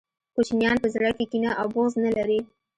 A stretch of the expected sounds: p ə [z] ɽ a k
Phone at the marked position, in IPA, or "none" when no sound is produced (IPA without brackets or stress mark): z